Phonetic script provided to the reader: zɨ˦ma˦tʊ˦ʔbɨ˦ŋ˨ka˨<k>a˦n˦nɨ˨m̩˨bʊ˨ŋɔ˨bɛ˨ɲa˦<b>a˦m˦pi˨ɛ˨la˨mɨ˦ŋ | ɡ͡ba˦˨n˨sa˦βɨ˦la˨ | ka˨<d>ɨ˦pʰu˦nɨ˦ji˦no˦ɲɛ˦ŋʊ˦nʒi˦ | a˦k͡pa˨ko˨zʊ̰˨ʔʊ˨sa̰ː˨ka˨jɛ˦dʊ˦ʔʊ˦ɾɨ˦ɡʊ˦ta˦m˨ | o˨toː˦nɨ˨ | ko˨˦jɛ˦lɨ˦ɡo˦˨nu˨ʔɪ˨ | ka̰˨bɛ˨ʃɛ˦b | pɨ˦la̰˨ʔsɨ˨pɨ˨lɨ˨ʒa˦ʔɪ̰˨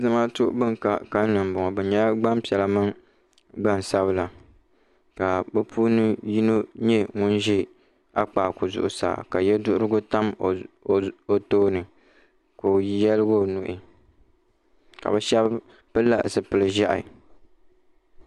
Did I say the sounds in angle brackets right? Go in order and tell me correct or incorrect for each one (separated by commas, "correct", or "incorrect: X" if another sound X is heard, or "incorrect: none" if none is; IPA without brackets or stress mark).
correct, incorrect: ɡ͡b, incorrect: b